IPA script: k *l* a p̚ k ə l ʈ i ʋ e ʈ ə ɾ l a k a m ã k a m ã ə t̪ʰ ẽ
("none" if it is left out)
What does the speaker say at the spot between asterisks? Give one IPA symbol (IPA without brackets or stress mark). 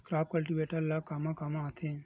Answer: ɾ